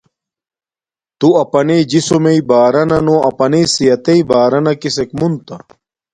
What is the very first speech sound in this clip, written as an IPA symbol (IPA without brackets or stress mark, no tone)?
t̪